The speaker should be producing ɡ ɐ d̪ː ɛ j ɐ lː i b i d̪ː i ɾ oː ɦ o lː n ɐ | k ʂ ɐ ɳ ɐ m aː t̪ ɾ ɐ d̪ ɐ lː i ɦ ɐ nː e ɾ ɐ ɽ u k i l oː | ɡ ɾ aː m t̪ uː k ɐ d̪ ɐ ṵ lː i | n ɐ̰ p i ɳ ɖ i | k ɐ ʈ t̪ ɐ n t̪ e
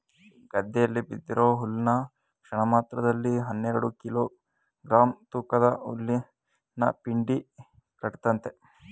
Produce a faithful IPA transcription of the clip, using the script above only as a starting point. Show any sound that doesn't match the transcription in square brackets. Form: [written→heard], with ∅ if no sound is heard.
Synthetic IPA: ɡ ɐ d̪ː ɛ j ɐ lː i b i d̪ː i ɾ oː ɦ [o→u] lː n ɐ | k ʂ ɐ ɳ ɐ m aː t̪ ɾ ɐ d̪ ɐ lː i ɦ ɐ nː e ɾ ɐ ɽ u k i l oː | ɡ ɾ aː m t̪ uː k ɐ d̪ ɐ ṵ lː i | n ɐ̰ p i ɳ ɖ i | k ɐ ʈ t̪ ɐ n t̪ e